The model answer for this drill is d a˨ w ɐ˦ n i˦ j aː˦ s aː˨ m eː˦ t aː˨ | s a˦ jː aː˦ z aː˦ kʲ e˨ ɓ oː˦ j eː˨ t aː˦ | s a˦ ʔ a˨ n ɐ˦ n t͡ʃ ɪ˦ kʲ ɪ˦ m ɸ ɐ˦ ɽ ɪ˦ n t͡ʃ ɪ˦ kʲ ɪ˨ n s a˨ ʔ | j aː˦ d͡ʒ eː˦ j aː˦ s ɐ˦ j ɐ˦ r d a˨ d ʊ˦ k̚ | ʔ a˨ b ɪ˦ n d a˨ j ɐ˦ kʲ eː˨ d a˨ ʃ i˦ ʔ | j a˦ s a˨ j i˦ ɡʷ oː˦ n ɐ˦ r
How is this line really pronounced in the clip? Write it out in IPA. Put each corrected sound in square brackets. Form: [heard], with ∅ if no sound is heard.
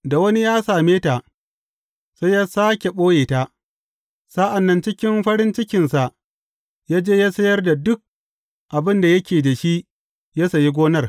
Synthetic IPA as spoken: d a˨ w ɐ˦ n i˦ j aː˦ s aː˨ m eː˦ t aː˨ | s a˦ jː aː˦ [s] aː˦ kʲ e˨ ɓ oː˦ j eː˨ t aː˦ | s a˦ ʔ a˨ [nː] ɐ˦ n t͡ʃ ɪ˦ kʲ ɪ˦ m ɸ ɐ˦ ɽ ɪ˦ n t͡ʃ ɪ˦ kʲ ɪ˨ n s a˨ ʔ | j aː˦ d͡ʒ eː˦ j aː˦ s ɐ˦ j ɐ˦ r d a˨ d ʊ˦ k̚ | ʔ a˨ b ɪ˦ n d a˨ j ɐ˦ kʲ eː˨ d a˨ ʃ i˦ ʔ | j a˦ s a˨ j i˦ ɡʷ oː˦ n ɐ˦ r